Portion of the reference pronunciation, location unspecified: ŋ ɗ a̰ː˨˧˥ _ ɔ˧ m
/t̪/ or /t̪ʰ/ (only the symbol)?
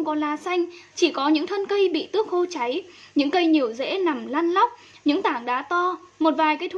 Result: t̪